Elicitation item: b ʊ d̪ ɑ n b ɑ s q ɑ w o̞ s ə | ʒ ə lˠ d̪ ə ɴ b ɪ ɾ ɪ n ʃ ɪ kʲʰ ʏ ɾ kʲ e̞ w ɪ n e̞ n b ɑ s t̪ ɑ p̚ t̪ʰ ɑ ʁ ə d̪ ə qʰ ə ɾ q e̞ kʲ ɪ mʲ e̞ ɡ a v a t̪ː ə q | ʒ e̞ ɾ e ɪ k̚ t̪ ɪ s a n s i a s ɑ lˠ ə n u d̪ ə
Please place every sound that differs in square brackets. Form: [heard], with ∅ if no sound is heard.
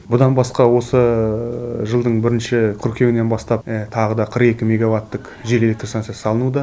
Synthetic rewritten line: b ʊ d̪ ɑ n b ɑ s q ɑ w o̞ s ə | ʒ ə lˠ d̪ ə ɴ b ɪ ɾ ɪ n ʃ ɪ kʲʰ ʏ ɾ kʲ e̞ w ɪ n e̞ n b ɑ s t̪ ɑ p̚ t̪ʰ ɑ ʁ ə d̪ [ɑ] qʰ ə ɾ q e̞ kʲ ɪ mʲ e̞ ɡ a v a t̪ː ə q | ʒ e̞ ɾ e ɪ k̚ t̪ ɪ s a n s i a s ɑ lˠ ə n u d̪ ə